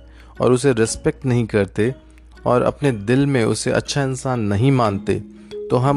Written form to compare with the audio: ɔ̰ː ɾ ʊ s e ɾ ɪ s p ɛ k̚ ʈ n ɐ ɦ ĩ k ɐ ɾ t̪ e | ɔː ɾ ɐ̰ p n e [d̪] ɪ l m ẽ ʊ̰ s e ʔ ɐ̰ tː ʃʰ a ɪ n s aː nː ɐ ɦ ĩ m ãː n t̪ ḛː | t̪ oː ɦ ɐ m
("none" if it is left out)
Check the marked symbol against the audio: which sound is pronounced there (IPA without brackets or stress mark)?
d̪